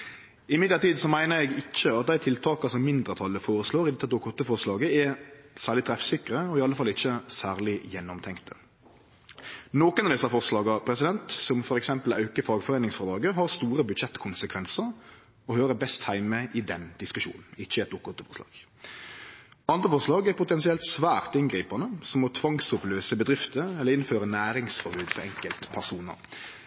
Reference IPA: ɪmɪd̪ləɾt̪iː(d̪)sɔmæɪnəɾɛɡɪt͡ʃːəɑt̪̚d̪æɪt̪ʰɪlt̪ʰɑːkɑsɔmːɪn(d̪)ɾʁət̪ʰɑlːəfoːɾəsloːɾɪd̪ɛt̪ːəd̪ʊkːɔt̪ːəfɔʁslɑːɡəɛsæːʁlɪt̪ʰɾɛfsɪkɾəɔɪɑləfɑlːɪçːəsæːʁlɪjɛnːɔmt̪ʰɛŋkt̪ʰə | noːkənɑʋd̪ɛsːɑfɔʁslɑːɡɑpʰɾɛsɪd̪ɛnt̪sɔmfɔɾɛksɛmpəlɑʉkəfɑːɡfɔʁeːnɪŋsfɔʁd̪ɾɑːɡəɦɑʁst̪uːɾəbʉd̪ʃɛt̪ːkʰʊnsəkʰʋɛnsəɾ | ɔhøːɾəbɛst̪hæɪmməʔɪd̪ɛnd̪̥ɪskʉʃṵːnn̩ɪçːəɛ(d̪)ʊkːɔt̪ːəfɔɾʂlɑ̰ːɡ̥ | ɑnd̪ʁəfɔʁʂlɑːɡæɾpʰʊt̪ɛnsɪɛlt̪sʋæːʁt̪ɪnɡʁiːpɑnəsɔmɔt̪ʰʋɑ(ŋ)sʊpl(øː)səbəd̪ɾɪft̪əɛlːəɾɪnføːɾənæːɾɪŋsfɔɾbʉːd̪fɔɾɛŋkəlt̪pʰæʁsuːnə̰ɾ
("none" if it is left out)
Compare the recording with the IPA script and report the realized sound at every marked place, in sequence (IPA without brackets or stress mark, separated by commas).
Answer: d̪, d̪, t̪, ŋ, øː